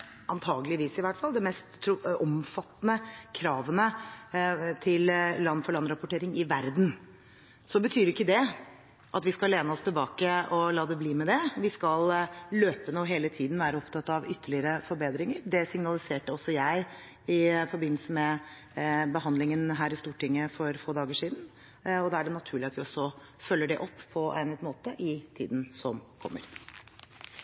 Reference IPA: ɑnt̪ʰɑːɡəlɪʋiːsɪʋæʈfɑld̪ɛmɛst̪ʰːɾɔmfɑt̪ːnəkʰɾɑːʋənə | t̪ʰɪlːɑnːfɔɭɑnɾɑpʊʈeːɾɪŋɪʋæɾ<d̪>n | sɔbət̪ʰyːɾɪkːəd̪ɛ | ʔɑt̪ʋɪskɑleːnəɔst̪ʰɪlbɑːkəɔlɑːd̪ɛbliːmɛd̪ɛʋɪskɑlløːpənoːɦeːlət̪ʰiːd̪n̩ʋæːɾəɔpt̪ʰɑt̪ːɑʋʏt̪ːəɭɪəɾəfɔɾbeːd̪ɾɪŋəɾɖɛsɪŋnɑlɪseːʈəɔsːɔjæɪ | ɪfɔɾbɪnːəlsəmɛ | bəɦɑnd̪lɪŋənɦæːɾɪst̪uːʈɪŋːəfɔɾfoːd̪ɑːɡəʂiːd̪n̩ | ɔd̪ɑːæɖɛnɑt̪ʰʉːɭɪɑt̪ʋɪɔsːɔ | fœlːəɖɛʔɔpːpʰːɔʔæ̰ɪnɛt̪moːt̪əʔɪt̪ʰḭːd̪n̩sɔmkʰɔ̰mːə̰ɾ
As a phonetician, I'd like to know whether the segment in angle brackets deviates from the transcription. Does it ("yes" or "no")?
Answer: no